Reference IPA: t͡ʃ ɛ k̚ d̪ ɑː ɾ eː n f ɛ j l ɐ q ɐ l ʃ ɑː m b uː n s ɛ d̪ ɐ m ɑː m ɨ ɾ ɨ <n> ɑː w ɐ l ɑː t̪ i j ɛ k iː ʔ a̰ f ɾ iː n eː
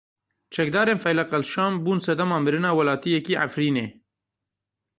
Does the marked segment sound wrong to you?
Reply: no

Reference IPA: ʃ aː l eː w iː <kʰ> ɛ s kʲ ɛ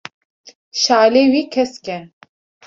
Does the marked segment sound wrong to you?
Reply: no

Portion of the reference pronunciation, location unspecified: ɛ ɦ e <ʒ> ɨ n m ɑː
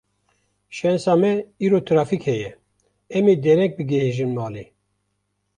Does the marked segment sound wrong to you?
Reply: no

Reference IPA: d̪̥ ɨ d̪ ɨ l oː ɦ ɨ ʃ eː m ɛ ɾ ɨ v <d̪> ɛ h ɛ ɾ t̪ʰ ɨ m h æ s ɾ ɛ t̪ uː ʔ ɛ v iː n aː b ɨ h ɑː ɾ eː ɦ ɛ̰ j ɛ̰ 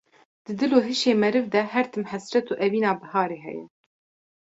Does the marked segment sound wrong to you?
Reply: no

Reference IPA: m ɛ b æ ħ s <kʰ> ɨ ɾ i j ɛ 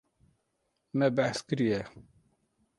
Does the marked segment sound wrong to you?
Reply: yes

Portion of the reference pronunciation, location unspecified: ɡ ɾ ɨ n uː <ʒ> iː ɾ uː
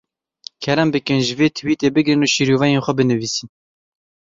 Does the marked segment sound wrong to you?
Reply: yes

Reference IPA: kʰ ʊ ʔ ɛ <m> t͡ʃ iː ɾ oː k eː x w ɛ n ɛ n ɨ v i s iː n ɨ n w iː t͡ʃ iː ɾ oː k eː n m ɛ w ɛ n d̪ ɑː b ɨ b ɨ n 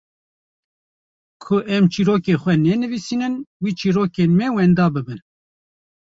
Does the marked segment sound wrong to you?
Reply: no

